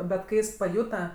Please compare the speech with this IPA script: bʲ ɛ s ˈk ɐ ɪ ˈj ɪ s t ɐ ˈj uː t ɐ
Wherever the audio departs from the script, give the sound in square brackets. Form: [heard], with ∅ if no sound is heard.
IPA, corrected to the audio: bʲ ɛ [t] ˈk ɐ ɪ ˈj ɪ s [p] ɐ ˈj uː t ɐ